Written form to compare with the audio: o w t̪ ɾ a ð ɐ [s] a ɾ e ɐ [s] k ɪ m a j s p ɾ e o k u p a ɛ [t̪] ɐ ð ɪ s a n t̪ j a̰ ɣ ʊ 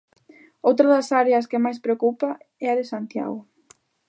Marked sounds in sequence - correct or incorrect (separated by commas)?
correct, correct, incorrect